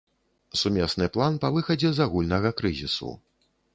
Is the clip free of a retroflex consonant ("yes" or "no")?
yes